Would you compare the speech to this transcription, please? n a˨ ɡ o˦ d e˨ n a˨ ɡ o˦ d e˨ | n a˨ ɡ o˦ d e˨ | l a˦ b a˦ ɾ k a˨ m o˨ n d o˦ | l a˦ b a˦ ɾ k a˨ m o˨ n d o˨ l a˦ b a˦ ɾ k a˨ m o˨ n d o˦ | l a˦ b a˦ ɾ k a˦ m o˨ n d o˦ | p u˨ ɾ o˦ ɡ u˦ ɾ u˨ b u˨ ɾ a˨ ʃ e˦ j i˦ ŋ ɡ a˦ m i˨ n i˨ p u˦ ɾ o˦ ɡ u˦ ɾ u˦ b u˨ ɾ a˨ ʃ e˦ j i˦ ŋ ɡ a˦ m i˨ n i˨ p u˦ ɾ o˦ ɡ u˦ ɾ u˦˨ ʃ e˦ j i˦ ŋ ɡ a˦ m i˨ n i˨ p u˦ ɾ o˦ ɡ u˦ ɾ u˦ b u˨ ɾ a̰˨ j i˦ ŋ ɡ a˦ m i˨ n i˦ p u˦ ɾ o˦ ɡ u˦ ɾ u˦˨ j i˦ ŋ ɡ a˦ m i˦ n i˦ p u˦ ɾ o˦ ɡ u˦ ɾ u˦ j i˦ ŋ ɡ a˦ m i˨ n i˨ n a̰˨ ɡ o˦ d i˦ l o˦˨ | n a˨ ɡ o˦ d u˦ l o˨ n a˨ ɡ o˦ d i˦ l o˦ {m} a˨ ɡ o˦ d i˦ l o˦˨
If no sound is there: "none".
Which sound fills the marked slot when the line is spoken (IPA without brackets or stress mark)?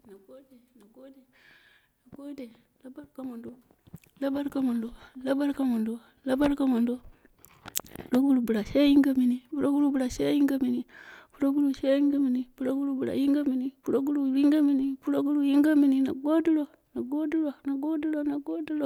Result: n